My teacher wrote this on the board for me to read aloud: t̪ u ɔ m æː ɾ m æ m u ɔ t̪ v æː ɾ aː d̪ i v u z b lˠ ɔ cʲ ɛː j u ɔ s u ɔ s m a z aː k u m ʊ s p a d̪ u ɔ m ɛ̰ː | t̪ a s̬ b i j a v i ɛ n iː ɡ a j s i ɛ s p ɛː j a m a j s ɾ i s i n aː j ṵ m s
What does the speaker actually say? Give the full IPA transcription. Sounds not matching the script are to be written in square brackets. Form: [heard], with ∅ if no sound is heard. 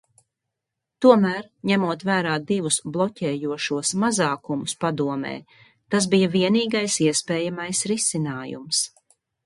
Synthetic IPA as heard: t̪ u ɔ m æː ɾ [ɲ] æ m u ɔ t̪ v æː ɾ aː d̪ i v u [s] b lˠ ɔ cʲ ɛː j u ɔ [ʃ] u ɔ s m a z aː k u m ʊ s p a d̪ u ɔ m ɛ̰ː | t̪ a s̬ b i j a v i ɛ n iː ɡ a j s i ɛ s p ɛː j a m a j s ɾ i s i n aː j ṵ m s

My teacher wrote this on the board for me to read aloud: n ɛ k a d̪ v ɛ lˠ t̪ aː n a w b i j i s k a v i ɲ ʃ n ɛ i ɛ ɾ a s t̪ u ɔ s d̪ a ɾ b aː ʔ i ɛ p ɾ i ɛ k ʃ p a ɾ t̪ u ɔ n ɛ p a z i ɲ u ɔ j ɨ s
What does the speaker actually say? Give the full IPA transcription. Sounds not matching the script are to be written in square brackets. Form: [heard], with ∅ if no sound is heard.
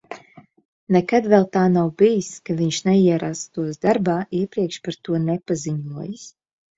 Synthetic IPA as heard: n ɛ k a d̪ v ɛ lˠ t̪ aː n a w b i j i s k a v i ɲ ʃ n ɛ i ɛ ɾ a s t̪ u ɔ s d̪ a ɾ b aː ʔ i ɛ p ɾ i ɛ k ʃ p a ɾ t̪ u ɔ n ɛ p a z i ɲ u ɔ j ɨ s

